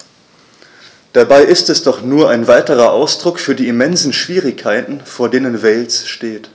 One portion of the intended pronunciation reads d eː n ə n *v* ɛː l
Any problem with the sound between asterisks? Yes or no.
no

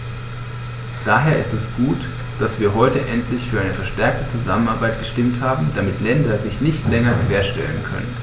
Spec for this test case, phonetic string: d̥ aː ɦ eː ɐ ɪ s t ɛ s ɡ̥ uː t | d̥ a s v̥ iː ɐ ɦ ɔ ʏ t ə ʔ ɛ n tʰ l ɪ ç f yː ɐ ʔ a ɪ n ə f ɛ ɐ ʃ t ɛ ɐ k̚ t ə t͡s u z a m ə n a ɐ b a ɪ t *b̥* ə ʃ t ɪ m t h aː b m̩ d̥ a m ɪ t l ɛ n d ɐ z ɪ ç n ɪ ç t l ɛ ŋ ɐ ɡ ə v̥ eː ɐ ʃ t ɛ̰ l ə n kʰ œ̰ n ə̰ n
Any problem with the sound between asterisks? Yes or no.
yes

